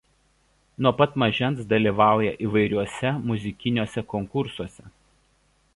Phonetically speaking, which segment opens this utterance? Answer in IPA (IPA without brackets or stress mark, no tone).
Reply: n